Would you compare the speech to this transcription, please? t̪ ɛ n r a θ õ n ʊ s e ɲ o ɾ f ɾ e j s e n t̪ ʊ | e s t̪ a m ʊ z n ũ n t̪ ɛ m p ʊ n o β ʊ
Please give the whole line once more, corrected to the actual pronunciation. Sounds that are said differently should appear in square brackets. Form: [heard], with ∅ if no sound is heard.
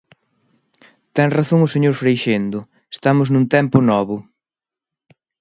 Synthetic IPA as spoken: t̪ ɛ [ŋ] r a θ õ [ŋ] ʊ s e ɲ o ɾ f ɾ e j [ʃ] e n [d̪] ʊ | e s t̪ a m ʊ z n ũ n t̪ ɛ m p ʊ n [ɔ] β ʊ